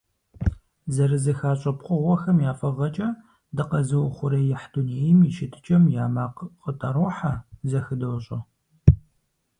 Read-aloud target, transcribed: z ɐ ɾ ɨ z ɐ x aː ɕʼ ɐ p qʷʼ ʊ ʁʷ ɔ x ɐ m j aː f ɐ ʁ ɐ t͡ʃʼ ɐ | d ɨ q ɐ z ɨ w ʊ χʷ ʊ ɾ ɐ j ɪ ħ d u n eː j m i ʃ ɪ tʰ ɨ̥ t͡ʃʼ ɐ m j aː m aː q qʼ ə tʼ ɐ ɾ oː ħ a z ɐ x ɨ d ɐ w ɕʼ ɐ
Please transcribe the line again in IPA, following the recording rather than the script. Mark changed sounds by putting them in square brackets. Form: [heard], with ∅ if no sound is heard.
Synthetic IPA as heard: z ɐ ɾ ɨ z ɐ x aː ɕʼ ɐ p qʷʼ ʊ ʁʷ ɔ x ɐ m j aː f ɐ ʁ ɐ t͡ʃʼ ɐ | d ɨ q ɐ z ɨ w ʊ χʷ ʊ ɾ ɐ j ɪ ħ d u n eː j m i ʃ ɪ tʰ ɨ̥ t͡ʃʼ ɐ m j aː m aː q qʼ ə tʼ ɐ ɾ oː ħ a z ɐ x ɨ d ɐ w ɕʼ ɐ